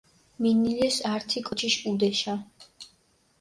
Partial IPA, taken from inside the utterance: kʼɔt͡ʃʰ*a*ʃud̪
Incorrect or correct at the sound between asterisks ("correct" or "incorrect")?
incorrect